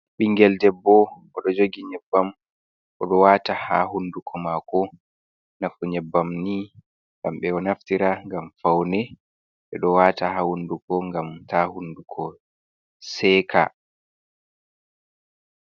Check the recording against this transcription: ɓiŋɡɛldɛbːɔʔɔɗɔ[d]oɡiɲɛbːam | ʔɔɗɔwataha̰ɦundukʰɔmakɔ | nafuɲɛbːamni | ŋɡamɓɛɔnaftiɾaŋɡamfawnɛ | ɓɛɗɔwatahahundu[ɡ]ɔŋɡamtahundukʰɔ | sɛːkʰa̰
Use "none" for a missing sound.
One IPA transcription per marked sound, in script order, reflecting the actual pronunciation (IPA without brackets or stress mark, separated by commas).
d͡ʒ, k